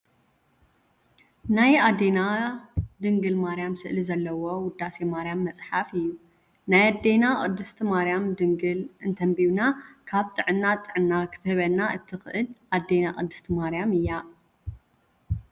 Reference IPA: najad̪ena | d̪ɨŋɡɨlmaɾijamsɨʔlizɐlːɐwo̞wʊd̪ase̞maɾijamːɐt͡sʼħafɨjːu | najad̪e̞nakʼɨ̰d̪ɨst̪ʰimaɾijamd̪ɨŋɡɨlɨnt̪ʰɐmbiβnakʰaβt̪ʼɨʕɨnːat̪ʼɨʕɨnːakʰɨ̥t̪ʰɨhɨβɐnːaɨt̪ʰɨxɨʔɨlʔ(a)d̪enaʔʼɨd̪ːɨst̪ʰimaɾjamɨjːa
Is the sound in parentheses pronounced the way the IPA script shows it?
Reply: yes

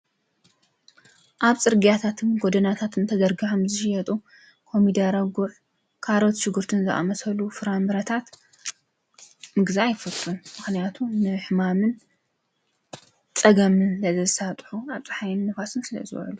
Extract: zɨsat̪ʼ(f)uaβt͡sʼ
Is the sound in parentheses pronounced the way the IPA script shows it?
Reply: no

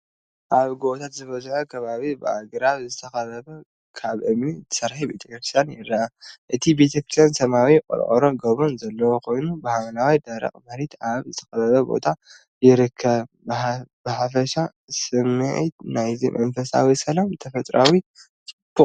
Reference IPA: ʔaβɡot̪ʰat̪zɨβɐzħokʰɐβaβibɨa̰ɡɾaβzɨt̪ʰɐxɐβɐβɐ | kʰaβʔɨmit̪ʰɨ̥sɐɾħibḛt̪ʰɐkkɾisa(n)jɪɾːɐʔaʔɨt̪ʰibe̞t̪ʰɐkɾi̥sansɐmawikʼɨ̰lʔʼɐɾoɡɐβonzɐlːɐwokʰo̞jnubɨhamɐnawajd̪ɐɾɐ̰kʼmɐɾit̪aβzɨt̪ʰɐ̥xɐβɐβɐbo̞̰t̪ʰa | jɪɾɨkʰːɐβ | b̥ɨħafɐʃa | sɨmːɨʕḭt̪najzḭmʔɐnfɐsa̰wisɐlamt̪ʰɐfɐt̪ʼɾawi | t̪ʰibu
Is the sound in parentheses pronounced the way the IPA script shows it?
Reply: yes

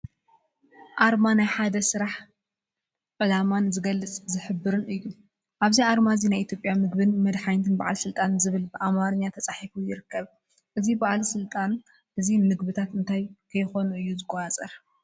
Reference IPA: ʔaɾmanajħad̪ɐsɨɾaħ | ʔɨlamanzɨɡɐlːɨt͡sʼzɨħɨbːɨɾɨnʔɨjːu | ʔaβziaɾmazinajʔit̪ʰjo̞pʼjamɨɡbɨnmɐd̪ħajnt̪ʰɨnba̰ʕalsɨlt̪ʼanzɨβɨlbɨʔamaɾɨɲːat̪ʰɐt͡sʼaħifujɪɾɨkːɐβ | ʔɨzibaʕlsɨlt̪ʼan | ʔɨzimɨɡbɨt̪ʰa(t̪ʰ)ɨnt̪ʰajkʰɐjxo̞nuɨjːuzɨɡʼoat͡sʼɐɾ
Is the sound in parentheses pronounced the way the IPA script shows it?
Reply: no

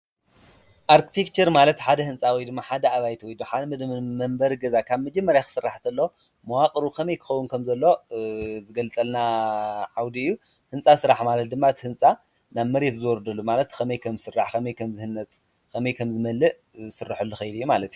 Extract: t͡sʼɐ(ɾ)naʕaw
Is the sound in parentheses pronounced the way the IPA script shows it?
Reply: no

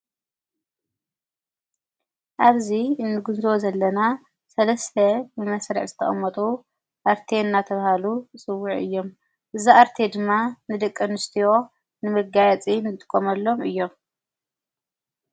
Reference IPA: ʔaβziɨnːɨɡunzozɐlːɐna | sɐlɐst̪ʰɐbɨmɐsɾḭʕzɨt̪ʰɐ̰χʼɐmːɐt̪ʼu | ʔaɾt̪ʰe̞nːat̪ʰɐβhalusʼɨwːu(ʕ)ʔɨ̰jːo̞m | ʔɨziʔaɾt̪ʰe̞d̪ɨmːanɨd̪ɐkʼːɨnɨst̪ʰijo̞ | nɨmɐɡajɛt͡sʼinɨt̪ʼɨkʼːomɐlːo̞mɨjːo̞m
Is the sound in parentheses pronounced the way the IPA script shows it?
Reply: yes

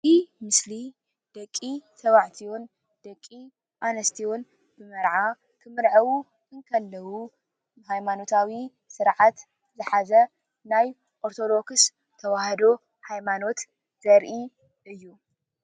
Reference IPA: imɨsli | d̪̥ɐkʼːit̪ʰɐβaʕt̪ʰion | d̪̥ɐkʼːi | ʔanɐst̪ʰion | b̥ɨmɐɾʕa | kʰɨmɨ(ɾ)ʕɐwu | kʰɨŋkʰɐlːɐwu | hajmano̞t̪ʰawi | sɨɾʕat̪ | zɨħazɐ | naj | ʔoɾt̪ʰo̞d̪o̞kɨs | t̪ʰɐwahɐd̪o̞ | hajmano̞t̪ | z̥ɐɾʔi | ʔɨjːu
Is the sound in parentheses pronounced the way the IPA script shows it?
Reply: yes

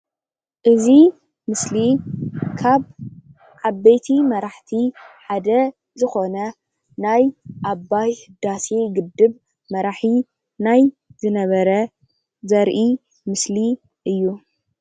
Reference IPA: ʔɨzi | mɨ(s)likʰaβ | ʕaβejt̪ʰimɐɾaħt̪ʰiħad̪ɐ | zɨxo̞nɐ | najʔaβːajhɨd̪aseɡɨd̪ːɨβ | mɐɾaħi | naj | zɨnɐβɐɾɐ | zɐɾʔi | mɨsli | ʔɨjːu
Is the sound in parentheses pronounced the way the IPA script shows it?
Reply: yes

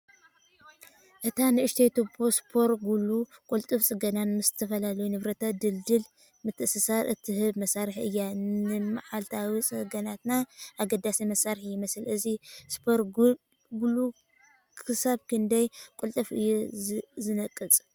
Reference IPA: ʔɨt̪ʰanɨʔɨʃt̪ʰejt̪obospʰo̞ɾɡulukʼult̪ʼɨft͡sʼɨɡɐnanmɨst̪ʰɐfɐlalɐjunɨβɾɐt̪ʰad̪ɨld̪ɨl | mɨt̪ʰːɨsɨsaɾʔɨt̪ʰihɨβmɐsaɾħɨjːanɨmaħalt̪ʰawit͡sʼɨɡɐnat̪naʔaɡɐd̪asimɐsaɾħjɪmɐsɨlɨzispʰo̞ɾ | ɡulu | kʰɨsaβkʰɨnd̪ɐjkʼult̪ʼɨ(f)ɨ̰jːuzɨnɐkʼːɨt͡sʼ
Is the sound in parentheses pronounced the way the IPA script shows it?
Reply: yes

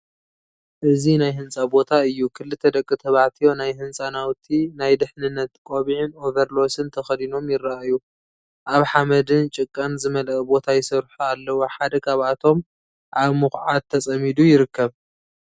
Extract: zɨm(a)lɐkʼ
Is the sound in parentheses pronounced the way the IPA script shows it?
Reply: no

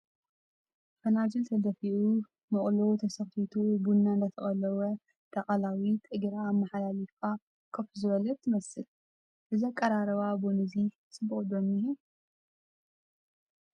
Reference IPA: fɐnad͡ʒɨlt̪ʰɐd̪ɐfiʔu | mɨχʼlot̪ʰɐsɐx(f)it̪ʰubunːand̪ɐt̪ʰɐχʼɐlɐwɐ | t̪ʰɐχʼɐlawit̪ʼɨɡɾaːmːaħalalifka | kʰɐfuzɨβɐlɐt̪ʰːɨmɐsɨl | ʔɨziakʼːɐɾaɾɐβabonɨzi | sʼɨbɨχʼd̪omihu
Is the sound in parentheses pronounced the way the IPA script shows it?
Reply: yes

